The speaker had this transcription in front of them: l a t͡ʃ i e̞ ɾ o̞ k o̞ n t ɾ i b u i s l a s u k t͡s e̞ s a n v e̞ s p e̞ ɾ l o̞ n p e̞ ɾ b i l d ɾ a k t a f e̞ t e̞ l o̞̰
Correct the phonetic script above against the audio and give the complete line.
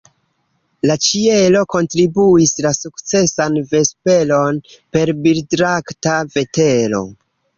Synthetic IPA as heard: l a t͡ʃ i e̞ l o̞ k o̞ n t ɾ i b u i s l a s u k t͡s e̞ s a n v e̞ s p e̞ l o̞ n p e̞ ɾ b i l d ɾ a k t a v e̞ t e̞ l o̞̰